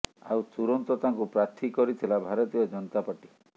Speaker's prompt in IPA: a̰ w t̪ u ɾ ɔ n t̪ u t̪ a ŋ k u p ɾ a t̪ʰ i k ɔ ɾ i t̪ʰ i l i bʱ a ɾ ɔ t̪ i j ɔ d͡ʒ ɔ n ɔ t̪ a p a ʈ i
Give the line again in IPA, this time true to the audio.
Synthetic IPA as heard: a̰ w t̪ u ɾ ɔ n t̪ ɔ t̪ a ŋ k u p ɾ a t̪ʰ i k ɔ ɾ i t̪ʰ i l a bʱ a ɾ ɔ t̪ i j ɔ d͡ʒ ɔ n ɔ t̪ a p a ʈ i